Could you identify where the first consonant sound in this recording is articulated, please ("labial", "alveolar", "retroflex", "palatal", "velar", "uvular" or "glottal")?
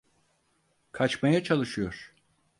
velar